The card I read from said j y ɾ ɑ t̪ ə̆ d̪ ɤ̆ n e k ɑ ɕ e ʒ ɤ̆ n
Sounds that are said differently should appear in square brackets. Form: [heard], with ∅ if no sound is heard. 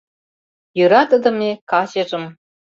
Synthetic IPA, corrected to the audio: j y ɾ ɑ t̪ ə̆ d̪ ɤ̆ [m] e k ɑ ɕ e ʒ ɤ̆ [m]